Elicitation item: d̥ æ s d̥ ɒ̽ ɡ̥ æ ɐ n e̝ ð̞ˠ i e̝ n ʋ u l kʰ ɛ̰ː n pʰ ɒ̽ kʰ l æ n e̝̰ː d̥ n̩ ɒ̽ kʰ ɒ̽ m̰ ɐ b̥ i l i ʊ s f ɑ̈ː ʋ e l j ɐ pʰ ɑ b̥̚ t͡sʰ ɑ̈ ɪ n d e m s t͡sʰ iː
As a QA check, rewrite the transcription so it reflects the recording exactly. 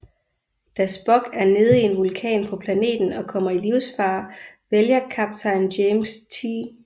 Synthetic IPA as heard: d̥ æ s b̥ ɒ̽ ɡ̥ æ ɐ n e̝ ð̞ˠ i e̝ n ʋ u l kʰ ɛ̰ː n pʰ ɒ̽ pʰ l æ n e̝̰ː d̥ n̩ ɒ̽ kʰ ɒ̽ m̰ ɐ i l i ʊ s f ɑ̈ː ʋ e l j ɐ kʰ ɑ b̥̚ t͡sʰ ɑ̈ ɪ n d e m s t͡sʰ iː

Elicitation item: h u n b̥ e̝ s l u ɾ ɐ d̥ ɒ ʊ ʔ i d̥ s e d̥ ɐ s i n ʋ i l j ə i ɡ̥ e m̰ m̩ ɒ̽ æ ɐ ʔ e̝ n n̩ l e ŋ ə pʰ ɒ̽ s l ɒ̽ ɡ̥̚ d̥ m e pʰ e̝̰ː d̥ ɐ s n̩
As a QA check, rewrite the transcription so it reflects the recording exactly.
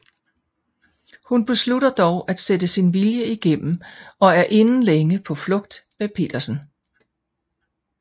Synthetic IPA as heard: h u n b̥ e̝ s l u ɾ ɐ d̥ ɒ ʊ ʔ æ d̥ s e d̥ ə s i n ʋ i l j ə i ɡ̥ e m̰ m̩ ɒ̽ æ ɐ ʔ e̝ n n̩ l e ŋ ə pʰ ɒ̽ f l ɔ̽ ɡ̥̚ d̥ m e pʰ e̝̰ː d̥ ɐ s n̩

